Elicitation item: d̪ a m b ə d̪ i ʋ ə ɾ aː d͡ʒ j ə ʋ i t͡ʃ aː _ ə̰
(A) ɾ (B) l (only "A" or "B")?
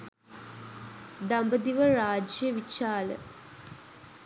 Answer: B